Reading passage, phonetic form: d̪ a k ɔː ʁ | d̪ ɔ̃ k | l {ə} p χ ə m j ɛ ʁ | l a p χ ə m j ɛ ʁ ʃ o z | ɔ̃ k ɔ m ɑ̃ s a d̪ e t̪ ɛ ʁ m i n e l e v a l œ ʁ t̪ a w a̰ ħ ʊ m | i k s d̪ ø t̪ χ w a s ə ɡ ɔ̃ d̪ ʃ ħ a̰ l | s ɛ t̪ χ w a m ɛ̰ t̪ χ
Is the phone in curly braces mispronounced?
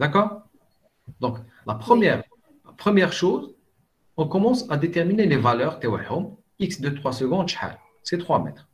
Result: yes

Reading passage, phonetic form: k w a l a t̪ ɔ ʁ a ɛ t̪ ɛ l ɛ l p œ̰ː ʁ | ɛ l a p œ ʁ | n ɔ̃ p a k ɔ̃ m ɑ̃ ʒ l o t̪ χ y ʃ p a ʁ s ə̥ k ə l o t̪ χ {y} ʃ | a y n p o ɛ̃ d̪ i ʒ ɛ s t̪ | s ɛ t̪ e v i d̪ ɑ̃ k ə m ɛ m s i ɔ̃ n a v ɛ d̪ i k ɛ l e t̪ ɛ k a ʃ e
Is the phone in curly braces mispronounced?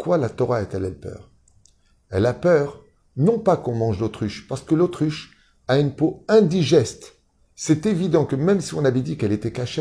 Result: no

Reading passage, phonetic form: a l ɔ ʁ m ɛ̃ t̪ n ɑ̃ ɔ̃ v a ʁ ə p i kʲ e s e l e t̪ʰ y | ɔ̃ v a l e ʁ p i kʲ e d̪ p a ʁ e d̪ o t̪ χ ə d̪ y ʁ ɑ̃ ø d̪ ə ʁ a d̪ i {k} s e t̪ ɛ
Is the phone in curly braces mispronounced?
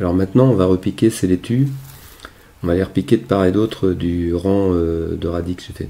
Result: no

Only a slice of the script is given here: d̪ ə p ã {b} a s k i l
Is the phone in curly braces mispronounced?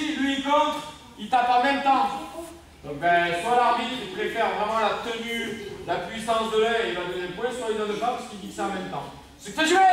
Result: yes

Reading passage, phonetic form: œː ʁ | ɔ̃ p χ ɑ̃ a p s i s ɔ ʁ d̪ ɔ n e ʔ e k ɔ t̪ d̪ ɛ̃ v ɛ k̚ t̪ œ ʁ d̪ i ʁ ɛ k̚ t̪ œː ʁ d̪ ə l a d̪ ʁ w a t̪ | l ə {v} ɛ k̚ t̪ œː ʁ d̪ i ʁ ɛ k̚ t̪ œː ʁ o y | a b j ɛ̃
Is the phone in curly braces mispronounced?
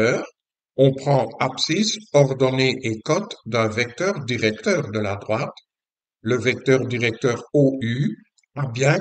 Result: no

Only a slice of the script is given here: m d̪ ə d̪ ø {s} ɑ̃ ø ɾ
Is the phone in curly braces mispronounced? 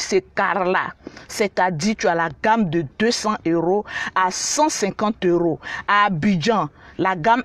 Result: no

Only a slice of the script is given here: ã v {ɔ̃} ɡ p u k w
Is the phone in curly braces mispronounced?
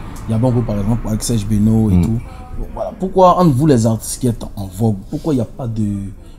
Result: yes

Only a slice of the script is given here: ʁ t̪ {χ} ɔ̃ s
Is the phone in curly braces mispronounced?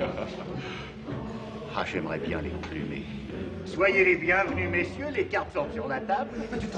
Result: yes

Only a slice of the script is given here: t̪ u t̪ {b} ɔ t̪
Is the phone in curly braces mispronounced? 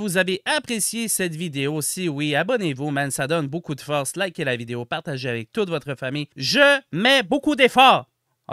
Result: yes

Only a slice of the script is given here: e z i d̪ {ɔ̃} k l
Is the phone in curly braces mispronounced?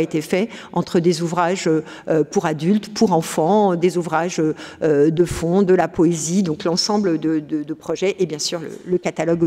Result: no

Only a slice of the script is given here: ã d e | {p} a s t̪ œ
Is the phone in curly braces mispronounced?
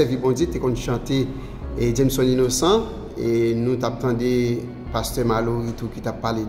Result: no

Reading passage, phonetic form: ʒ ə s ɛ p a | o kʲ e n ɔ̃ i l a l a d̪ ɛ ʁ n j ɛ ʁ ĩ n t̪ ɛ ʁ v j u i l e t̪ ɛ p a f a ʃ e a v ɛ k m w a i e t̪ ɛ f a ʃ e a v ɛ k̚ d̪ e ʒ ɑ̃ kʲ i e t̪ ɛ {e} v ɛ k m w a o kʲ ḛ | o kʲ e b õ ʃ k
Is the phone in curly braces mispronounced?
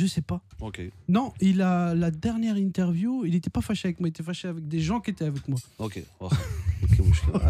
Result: yes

